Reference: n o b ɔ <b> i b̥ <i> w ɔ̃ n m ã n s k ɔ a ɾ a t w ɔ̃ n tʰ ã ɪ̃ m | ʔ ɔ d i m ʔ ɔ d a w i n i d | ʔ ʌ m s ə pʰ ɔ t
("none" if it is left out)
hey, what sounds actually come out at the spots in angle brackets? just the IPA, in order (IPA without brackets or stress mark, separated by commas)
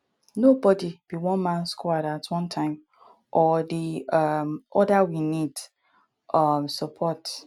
d, i